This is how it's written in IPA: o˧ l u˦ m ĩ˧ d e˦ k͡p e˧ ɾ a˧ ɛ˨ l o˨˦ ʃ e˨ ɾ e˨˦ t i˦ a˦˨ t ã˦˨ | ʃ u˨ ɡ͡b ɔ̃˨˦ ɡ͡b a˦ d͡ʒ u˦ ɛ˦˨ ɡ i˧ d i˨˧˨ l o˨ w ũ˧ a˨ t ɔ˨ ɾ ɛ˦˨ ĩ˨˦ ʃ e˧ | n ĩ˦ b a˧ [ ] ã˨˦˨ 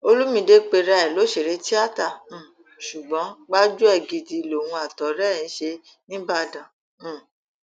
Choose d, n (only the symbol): d